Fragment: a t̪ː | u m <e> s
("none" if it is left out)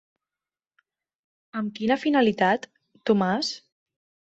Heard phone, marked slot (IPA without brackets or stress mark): a